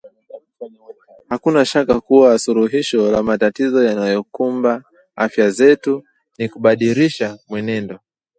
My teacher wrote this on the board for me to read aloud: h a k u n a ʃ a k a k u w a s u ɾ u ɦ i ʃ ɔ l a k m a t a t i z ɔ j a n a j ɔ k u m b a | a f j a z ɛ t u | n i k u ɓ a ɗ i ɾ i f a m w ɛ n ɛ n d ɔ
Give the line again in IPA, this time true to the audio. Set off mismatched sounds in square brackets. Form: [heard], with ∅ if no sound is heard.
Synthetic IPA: h a k u n a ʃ a k a k u w a s u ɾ u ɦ i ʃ ɔ l a [∅] m a t a t i z ɔ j a n a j ɔ k u m b a | a f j a z ɛ t u | n i k u ɓ a ɗ i ɾ i [ʃ] a m w ɛ n ɛ n d ɔ